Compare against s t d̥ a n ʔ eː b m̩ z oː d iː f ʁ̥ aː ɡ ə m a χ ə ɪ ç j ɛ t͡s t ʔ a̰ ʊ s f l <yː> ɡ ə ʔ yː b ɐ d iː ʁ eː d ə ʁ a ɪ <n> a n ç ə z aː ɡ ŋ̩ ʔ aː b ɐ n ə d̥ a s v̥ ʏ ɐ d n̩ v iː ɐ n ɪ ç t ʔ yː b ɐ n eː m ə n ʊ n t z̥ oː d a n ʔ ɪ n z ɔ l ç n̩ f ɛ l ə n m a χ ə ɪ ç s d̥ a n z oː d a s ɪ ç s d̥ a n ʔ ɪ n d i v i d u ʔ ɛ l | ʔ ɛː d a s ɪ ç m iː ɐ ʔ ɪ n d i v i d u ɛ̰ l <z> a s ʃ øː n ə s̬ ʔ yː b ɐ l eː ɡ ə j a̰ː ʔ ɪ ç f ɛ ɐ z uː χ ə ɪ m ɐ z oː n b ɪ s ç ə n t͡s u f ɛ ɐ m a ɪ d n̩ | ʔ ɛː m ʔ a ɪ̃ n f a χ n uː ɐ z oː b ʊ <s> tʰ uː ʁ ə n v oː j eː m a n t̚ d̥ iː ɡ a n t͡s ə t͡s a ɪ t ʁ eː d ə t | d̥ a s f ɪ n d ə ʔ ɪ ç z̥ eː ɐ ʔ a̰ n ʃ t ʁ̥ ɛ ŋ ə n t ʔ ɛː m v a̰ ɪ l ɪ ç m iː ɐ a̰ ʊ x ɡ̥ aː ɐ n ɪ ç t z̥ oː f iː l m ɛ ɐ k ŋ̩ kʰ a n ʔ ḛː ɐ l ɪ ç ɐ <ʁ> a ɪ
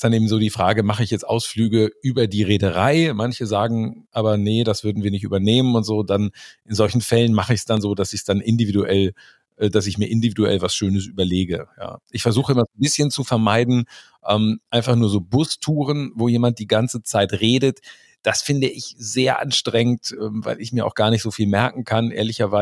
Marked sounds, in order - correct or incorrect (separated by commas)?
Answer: correct, incorrect, incorrect, correct, incorrect